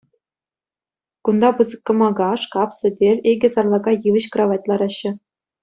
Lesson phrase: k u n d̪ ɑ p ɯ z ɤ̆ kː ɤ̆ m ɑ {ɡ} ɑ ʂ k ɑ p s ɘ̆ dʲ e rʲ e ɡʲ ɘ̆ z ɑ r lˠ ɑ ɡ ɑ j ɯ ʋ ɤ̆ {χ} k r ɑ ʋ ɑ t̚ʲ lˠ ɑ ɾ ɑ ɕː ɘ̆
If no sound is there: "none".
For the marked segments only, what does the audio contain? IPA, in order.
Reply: ɡ, ɕ

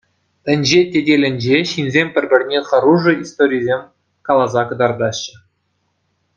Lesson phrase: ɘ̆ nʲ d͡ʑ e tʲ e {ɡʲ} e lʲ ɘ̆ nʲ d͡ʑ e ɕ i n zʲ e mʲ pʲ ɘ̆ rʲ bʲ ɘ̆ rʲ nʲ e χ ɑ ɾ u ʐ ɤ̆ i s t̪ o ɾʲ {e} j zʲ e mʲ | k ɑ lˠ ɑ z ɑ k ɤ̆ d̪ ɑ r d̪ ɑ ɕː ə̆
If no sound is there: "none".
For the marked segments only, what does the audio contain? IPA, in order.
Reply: dʲ, i

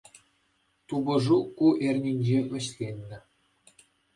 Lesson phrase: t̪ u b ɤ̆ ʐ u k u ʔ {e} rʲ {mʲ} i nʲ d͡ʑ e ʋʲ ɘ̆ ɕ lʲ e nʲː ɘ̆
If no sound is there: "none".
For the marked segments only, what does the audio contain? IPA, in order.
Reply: e, nʲ

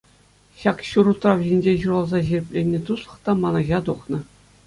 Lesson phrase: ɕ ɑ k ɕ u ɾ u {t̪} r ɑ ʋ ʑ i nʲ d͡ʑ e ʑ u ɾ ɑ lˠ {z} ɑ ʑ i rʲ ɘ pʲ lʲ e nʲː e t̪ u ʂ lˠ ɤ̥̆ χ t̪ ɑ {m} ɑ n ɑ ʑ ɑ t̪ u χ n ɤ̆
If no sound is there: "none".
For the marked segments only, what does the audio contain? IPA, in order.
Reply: t̪, z, m

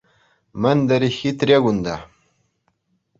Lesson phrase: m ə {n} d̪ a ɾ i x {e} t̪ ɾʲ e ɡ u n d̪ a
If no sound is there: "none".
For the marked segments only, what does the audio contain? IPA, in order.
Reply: n, i

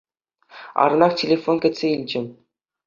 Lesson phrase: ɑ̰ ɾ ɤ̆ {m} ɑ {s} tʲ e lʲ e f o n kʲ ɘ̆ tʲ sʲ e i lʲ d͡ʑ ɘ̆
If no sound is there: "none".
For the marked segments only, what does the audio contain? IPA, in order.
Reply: n, χ

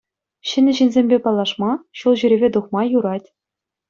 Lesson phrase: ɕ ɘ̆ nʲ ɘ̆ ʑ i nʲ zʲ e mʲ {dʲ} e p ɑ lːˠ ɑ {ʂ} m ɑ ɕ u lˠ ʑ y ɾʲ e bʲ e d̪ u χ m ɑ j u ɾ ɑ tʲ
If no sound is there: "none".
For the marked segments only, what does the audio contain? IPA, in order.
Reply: bʲ, ʂ

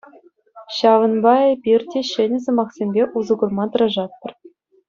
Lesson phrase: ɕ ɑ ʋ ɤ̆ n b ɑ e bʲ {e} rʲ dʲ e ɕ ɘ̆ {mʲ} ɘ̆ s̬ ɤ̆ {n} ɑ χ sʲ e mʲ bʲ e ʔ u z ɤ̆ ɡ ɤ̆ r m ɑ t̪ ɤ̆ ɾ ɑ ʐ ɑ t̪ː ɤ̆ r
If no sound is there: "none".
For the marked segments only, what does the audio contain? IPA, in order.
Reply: i, nʲ, m

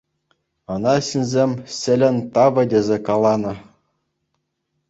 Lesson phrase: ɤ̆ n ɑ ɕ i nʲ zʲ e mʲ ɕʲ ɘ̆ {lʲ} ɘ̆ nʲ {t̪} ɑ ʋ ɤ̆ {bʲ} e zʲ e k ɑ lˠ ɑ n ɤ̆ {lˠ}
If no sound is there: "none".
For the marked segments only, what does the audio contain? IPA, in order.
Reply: lʲ, t̪, dʲ, none

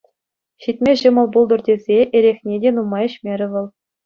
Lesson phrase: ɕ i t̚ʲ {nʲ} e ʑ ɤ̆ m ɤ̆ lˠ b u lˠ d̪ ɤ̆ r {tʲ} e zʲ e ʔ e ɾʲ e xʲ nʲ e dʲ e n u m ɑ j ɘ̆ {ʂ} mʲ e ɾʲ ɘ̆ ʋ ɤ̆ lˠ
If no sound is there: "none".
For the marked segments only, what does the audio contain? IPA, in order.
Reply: mʲ, dʲ, ɕ

